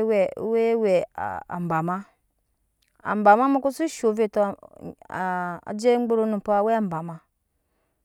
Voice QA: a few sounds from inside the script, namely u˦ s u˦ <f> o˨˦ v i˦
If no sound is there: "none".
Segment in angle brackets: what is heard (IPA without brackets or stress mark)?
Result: ʃ